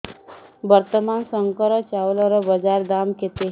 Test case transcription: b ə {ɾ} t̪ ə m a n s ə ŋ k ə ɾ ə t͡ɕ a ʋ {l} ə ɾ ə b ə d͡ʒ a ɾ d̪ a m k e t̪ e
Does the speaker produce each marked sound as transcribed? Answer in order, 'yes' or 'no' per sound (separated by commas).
yes, yes